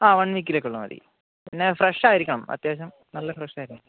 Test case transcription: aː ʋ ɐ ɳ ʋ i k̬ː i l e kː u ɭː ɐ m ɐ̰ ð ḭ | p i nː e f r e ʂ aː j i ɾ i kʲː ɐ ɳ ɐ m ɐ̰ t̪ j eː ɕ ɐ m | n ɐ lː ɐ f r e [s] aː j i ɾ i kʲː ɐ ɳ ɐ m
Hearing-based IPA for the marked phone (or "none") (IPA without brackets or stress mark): ʂ